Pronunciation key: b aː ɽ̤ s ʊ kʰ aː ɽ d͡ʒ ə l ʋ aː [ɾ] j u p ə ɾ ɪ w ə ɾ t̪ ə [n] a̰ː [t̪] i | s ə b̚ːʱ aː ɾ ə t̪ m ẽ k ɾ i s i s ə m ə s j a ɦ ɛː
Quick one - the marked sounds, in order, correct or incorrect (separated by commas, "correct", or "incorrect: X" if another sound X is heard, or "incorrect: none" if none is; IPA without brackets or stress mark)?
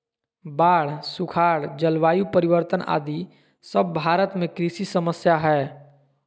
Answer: incorrect: none, correct, incorrect: d̪